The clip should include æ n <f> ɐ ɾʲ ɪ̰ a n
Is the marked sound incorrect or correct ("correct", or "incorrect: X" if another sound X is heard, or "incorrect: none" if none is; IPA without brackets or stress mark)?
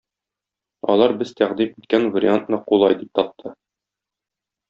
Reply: incorrect: v